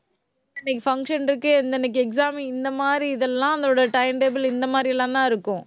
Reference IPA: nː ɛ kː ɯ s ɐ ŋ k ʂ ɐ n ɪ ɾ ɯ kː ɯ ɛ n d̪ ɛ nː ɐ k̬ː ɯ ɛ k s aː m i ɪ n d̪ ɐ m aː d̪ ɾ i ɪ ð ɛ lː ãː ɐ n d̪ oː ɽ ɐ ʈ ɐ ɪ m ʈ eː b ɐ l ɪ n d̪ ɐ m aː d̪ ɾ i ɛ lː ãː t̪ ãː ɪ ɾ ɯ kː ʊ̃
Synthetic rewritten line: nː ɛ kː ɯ f ɐ ŋ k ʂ ɐ n ɪ ɾ ɯ kː ɯ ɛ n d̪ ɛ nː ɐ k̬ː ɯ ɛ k s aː m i ɪ n d̪ ɐ m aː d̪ ɾ i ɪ ð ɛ lː ãː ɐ n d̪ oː ɽ ɐ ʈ ɐ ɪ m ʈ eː b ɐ l ɪ n d̪ ɐ m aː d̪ ɾ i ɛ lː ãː t̪ ãː ɪ ɾ ɯ kː ʊ̃